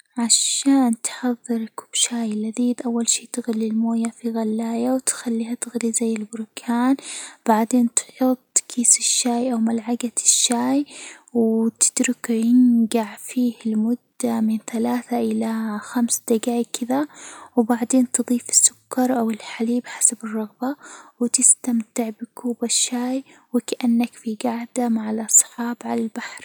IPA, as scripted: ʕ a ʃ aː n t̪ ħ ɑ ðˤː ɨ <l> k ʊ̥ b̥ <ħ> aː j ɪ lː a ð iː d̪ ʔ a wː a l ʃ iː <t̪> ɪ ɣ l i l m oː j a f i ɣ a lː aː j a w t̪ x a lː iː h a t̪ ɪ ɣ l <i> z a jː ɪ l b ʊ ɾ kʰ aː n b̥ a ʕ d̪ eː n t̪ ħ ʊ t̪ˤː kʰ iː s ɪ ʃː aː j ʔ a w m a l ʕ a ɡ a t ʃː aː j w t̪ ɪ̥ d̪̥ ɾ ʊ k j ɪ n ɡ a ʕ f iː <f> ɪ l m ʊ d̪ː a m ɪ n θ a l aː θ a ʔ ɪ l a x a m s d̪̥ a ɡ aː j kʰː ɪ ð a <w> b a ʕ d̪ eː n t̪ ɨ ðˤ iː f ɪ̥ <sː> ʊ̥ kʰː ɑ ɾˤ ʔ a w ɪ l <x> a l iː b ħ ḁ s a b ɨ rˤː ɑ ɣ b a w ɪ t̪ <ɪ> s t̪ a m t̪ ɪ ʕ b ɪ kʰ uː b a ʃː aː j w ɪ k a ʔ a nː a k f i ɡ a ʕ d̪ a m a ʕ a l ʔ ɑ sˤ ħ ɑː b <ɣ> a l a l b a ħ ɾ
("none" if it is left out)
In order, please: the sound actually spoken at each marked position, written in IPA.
ɾ, ʃ, t̪, i, h, w, sː, ħ, ɪ, ʕ

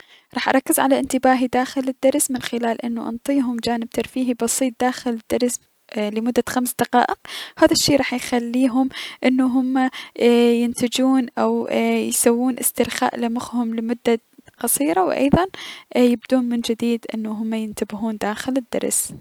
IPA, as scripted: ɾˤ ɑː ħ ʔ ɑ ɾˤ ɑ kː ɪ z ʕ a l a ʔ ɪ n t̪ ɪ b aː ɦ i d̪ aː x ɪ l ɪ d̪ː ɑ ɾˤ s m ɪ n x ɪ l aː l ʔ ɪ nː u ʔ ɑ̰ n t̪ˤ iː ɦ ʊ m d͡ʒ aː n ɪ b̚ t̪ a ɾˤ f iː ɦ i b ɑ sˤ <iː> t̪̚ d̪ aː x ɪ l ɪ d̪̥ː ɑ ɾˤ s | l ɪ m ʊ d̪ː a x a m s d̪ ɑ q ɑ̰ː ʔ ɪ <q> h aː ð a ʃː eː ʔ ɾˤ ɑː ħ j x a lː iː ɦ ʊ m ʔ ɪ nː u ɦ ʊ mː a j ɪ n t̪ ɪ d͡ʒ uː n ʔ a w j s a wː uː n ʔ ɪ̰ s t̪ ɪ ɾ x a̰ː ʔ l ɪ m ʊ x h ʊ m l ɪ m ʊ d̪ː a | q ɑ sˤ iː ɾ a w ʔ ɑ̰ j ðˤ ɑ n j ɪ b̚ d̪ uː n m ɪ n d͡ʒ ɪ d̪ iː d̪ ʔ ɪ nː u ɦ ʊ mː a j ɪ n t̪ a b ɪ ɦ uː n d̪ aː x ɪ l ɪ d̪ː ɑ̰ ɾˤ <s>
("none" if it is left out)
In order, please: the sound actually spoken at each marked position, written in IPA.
iː, q, s

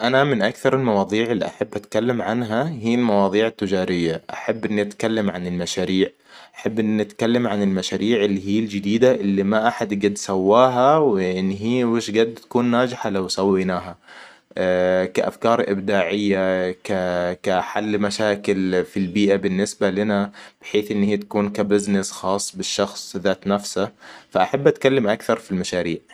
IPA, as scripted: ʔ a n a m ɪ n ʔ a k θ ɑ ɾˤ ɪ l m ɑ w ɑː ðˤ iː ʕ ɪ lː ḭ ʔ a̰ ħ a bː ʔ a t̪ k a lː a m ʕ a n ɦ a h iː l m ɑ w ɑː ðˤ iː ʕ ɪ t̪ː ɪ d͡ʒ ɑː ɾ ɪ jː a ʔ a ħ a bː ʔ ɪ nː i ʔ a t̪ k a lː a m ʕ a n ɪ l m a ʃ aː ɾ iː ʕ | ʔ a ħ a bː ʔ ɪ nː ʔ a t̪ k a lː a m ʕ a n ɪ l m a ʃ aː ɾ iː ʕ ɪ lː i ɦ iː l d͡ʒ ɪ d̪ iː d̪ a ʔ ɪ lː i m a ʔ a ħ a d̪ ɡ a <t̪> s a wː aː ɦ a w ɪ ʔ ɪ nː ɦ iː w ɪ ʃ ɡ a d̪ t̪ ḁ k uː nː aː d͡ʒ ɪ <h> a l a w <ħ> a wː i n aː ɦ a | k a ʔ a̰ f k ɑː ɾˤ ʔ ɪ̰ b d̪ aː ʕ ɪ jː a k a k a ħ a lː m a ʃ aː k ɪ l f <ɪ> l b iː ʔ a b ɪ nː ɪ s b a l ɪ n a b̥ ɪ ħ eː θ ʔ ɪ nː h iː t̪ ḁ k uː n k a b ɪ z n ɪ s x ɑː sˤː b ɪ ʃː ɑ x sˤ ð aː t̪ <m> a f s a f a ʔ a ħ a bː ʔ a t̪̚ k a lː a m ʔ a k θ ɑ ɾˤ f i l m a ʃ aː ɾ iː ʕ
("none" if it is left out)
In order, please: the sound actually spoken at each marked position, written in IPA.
d̪, ħ, s, i, n

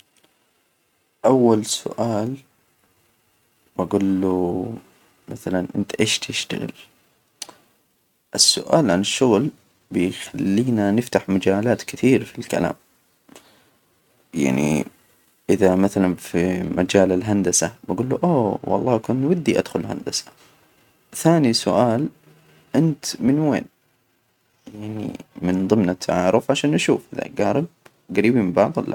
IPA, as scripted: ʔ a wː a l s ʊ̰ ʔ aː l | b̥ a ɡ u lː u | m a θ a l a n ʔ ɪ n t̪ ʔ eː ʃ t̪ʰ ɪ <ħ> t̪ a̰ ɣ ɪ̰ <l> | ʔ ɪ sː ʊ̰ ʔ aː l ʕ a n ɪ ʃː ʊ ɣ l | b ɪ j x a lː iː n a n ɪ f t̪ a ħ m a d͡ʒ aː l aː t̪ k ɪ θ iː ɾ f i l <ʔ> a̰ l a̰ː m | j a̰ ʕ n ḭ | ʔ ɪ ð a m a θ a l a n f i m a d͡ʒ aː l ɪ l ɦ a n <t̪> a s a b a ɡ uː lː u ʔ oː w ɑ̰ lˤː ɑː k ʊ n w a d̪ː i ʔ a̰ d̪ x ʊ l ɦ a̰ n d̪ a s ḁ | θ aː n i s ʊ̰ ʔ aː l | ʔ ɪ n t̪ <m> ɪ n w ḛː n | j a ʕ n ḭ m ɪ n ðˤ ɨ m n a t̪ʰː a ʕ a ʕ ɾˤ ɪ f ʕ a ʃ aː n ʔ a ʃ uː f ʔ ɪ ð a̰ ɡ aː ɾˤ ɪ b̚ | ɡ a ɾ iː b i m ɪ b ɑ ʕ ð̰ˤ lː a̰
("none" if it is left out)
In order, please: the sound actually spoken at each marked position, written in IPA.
ʃ, l, k, d̪, m

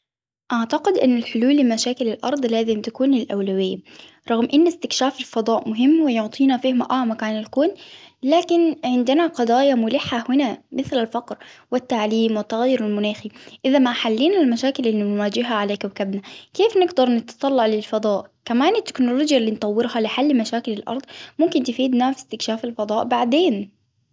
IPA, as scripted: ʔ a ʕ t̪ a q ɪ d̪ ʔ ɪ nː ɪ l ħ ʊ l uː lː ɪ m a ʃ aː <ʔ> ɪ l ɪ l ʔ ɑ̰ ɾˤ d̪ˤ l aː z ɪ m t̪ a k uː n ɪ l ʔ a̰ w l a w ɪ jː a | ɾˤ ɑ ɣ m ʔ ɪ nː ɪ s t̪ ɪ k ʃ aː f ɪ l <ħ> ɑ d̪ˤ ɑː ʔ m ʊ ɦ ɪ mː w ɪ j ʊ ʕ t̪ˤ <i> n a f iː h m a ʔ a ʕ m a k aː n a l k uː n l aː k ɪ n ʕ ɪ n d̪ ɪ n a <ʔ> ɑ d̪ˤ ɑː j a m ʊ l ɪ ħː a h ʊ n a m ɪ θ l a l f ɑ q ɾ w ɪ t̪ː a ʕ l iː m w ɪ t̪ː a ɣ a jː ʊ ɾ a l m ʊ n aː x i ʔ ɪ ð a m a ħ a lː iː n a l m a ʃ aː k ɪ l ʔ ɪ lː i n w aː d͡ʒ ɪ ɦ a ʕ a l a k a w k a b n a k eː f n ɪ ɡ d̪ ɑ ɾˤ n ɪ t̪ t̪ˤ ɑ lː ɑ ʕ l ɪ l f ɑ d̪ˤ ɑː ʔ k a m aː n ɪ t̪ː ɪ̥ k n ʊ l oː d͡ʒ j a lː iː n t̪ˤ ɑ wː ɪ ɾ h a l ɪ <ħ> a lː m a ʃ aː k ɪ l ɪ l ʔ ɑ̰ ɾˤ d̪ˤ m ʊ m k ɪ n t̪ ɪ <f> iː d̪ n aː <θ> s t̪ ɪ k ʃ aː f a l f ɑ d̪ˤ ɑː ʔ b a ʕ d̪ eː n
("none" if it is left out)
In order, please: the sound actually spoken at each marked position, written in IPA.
k, f, iː, q, ħ, f, f

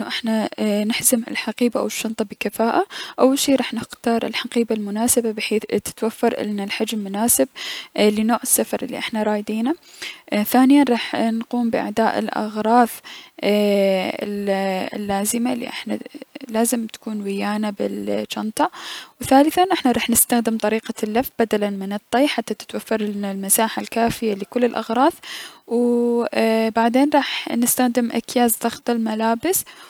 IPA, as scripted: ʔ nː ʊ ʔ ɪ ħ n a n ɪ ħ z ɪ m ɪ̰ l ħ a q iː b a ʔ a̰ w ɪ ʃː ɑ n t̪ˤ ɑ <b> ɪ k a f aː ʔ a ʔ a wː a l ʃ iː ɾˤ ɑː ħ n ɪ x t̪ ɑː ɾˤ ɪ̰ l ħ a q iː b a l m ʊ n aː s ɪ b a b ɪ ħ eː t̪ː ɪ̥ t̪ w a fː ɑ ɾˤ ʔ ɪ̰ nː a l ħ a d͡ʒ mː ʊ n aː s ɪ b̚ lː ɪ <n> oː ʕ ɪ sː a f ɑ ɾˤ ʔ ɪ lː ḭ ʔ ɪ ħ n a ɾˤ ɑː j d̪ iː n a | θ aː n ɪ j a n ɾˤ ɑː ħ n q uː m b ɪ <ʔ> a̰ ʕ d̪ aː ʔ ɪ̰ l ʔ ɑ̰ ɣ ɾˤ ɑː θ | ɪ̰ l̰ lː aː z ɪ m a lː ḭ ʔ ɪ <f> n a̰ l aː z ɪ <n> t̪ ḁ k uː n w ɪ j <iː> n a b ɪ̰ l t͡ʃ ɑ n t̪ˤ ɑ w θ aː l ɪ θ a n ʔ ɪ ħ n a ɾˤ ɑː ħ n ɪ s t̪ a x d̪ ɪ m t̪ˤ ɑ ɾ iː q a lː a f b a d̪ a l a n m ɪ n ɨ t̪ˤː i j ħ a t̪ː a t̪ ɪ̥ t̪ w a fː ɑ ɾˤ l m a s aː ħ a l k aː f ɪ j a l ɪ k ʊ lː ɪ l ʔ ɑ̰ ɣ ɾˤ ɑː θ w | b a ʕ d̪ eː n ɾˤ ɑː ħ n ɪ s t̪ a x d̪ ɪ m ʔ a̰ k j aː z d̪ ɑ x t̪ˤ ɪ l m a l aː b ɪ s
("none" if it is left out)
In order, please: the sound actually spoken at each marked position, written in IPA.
b, n, ʔ, ħ, m, aː

